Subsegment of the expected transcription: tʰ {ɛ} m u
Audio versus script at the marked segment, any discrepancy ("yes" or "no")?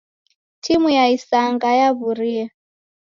yes